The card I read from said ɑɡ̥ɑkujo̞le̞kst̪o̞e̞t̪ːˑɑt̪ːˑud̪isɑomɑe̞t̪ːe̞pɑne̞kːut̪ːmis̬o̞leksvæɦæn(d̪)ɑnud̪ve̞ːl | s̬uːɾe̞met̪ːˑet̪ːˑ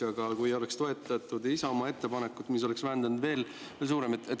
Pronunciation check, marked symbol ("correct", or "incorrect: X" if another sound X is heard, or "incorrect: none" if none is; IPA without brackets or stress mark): correct